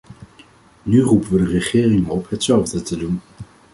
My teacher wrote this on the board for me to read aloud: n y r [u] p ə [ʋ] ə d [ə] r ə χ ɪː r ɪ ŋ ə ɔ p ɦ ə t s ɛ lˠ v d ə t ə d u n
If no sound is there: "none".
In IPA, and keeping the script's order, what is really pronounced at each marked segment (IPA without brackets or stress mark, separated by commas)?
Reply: u, ʋ, ə